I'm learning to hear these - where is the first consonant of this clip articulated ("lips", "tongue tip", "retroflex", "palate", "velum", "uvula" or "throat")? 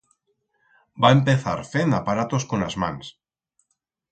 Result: lips